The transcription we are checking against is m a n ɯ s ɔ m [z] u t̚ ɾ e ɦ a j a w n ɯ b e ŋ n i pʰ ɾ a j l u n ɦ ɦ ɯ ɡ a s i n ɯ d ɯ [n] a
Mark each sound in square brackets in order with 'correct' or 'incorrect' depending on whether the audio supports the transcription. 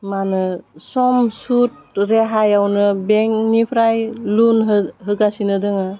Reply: incorrect: s, incorrect: ŋ

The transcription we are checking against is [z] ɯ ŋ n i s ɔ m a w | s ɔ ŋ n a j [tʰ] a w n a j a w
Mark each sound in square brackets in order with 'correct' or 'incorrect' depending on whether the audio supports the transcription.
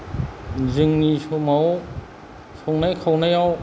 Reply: correct, incorrect: kʰ

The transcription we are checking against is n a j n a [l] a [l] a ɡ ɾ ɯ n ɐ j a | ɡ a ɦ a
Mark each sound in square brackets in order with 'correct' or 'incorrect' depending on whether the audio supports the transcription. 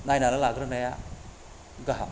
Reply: correct, correct

